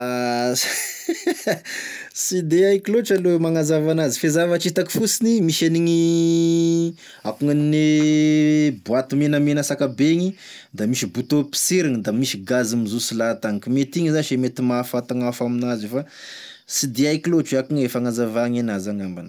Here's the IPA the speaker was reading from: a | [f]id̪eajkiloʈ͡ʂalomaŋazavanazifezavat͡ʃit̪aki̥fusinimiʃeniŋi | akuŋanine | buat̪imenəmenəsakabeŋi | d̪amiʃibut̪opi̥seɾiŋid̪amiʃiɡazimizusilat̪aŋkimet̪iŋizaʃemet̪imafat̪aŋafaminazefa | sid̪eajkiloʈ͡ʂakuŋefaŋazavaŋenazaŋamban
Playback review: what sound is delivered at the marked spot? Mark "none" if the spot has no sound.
s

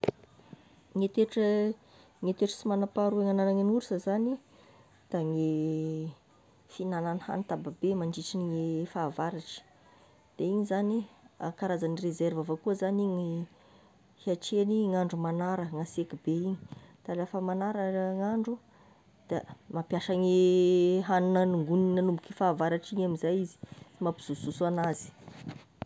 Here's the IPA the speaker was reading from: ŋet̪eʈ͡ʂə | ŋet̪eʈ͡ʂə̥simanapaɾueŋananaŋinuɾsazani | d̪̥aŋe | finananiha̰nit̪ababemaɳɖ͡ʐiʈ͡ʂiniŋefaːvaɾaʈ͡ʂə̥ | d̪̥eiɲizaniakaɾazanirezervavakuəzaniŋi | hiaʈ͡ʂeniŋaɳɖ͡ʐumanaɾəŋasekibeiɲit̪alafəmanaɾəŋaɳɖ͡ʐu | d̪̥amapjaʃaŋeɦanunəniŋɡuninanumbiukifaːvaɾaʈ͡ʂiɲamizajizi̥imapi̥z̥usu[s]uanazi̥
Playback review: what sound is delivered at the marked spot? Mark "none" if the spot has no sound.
s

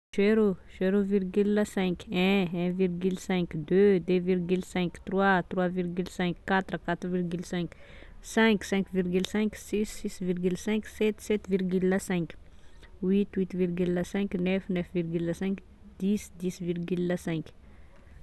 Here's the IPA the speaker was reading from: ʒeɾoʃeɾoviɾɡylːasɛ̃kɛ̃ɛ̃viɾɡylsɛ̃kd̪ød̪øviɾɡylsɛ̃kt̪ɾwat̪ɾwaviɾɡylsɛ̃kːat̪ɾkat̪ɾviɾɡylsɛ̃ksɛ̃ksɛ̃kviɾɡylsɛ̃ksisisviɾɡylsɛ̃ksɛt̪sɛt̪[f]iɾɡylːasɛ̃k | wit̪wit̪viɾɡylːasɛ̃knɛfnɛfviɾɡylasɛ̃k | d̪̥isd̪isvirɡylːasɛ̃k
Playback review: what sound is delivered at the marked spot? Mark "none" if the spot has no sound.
v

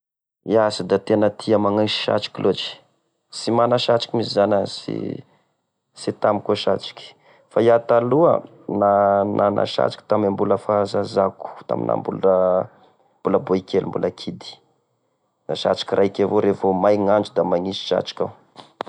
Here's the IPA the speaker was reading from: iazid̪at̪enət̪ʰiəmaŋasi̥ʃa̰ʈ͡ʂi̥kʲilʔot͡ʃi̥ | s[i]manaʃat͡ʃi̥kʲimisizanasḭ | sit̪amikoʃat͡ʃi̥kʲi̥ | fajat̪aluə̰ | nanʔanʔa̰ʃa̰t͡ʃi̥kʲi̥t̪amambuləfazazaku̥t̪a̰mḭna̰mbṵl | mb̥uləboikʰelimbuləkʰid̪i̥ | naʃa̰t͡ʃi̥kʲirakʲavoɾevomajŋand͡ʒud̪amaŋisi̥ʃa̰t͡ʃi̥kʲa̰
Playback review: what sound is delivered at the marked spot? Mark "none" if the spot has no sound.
i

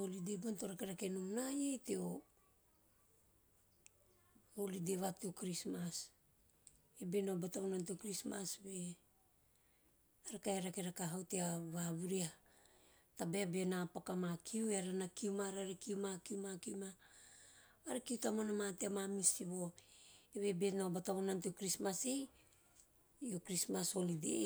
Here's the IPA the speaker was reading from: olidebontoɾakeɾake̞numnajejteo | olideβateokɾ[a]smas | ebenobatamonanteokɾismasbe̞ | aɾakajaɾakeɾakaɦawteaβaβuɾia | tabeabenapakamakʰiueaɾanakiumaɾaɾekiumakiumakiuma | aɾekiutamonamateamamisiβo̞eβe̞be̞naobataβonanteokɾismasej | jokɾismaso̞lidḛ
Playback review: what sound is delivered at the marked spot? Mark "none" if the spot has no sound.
i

